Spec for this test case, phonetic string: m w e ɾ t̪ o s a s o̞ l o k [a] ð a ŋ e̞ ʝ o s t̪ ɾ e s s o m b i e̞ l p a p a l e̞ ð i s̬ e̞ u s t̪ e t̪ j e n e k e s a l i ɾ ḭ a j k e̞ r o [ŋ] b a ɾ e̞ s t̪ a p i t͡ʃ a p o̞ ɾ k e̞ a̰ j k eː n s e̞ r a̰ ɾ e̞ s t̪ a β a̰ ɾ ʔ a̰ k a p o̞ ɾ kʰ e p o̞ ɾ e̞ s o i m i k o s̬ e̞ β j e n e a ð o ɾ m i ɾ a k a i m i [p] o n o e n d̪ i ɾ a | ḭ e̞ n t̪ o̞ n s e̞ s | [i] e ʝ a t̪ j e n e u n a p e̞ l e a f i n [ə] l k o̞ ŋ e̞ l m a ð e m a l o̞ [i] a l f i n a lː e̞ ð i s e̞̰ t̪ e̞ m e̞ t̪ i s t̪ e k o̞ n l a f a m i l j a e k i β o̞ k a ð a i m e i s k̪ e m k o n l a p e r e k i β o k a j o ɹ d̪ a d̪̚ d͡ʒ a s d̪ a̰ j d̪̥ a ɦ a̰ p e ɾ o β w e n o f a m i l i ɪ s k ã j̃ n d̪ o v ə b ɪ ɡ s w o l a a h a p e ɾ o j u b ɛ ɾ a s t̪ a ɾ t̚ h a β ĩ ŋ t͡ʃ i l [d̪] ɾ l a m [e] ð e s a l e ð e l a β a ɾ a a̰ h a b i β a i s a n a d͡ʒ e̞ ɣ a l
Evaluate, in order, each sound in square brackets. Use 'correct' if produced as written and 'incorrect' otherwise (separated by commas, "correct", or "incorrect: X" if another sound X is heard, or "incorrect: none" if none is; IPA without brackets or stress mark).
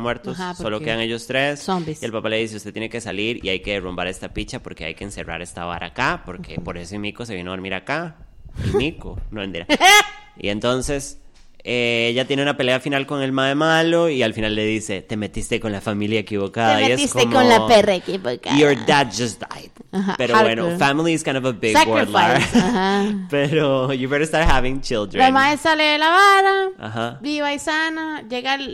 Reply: incorrect: e, incorrect: m, incorrect: k, incorrect: e, incorrect: a, correct, correct, incorrect: a